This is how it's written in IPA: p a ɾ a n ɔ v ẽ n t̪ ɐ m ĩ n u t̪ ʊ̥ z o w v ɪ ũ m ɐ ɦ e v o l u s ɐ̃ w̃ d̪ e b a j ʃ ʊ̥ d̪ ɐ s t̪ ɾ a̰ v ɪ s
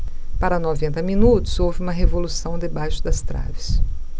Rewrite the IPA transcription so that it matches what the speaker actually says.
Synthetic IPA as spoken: p a ɾ ɐ n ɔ v ẽ n t̪ ɐ m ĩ n u t̪ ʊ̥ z o w v ɪ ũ m ɐ ɦ e v o l u s ɐ̃ w̃ d̪ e b a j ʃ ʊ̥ d̪ ɐ s t̪ ɾ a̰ v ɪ s